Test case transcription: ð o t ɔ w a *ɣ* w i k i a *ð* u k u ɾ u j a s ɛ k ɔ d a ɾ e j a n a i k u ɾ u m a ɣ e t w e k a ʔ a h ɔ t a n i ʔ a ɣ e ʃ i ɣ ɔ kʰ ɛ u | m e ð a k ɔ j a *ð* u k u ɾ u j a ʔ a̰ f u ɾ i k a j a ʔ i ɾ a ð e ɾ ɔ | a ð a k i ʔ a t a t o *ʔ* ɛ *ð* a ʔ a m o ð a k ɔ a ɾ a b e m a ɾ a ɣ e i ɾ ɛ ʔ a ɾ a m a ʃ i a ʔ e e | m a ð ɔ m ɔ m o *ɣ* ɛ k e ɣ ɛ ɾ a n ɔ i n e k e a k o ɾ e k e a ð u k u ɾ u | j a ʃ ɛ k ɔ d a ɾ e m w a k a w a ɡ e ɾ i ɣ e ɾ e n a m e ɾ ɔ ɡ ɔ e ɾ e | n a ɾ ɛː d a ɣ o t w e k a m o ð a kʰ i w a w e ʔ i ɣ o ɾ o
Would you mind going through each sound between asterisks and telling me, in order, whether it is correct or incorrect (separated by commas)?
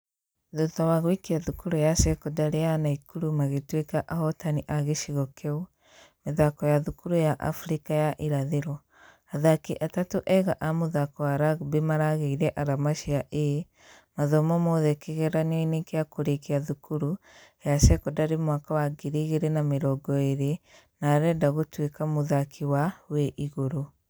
correct, correct, correct, correct, incorrect, incorrect